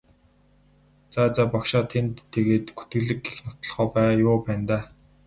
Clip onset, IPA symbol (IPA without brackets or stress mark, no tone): t͡s